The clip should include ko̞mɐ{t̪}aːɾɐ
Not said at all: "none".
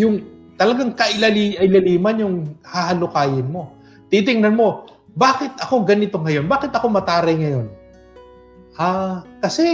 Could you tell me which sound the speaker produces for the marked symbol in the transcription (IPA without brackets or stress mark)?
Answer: t̪